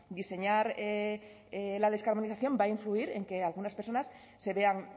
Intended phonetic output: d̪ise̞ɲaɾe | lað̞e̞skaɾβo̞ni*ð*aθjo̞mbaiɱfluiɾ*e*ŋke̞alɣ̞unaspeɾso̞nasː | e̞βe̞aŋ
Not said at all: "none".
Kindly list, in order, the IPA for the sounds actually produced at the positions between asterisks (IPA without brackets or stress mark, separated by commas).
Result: θ, e